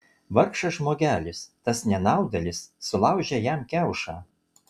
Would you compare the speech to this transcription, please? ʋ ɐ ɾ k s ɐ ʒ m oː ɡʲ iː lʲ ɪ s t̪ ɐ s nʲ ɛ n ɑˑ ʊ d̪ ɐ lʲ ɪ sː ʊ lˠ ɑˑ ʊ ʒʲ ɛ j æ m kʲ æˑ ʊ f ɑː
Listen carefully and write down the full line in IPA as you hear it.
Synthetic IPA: ʋ ɐ ɾ k ʃ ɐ ʒ m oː ɡʲ æː lʲ ɪ s t̪ ɐ s nʲ ɛ n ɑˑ ʊ d̪ ɐ lʲ ɪ sː ʊ lˠ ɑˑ ʊ ʒʲ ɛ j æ m kʲ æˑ ʊ ʃ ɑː